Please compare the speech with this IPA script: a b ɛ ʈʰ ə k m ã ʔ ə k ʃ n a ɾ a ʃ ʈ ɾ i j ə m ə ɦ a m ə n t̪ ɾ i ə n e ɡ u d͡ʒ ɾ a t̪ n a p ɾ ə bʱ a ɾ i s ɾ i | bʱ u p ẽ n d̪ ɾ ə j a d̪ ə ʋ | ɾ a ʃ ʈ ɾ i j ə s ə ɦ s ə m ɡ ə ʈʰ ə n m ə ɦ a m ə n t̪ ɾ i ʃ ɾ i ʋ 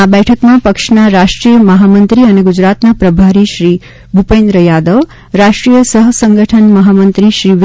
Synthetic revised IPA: a b ɛ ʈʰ ə k m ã p ə k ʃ n a ɾ a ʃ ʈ ɾ i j ə m ə ɦ a m ə n t̪ ɾ i ə n e ɡ u d͡ʒ ɾ a t̪ n a p ɾ ə bʱ a ɾ i ʃ ɾ i | bʱ u p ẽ n d̪ ɾ ə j a d̪ ə ʋ | ɾ a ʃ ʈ ɾ i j ə s ə ɦ s ə ŋ ɡ ə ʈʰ ə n m ə ɦ a m ə n t̪ ɾ i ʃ ɾ i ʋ